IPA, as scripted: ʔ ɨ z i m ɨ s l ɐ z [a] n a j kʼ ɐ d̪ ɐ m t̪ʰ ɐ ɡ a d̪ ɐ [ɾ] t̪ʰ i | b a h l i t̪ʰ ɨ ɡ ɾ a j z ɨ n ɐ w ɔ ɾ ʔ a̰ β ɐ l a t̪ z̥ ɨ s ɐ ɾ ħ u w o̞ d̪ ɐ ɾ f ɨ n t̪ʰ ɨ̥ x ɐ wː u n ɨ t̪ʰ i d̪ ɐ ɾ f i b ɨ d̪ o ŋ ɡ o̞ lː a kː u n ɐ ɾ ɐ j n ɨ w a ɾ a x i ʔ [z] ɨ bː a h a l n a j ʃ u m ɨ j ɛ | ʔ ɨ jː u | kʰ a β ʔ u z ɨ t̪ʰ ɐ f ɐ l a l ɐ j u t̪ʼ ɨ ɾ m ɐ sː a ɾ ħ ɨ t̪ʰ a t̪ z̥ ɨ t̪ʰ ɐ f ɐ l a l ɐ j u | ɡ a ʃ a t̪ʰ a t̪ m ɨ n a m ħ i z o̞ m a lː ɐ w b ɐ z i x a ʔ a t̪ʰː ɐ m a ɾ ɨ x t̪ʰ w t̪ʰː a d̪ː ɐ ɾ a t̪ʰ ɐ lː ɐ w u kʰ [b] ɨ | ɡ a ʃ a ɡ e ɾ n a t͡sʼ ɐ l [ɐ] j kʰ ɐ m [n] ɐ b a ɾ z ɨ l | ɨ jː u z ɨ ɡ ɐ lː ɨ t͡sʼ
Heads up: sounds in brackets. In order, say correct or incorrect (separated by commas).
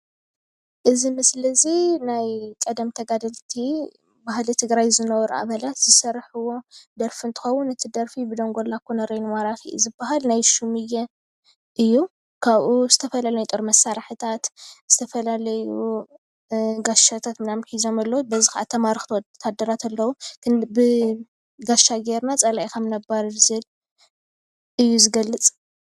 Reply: incorrect, incorrect, correct, correct, incorrect, correct